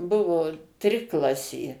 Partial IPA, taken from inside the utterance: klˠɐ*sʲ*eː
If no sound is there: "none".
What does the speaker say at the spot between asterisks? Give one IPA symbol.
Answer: sʲ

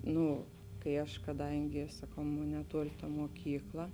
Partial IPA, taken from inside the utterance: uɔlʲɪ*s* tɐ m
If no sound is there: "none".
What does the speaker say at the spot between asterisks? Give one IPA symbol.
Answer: none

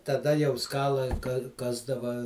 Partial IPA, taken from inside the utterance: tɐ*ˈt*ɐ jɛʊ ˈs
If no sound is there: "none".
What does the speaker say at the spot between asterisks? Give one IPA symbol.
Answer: d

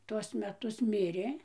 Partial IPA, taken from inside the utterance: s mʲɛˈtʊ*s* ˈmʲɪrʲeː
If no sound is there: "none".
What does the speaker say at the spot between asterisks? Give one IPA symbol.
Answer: s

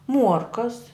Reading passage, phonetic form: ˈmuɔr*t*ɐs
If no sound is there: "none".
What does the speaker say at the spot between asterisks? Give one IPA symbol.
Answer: k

